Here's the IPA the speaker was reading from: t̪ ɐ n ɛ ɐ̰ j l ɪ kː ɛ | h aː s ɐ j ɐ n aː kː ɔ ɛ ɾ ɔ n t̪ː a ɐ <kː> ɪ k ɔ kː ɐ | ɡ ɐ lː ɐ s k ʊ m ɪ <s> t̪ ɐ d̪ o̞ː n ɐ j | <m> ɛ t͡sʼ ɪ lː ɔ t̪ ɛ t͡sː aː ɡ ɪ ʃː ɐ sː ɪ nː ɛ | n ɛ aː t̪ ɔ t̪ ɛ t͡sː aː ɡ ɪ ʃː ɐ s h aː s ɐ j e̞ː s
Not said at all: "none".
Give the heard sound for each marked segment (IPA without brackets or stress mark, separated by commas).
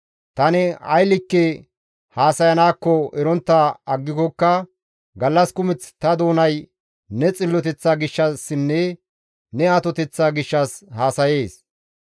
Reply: ɡː, t͡s, n